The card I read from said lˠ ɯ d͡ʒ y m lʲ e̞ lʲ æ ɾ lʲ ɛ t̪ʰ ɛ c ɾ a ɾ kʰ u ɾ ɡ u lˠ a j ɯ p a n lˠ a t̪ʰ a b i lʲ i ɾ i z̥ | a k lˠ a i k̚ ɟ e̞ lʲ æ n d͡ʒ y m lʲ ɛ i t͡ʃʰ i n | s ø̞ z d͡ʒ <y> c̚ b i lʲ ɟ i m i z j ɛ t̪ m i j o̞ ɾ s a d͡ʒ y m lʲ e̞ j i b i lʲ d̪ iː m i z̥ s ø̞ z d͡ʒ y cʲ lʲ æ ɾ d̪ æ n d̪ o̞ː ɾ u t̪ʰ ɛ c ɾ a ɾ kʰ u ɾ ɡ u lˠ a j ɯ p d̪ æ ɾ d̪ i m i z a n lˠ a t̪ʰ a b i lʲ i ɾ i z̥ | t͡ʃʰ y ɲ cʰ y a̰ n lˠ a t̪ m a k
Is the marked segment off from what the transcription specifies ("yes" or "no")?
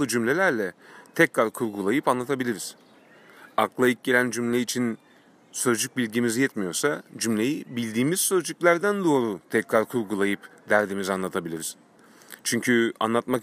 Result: no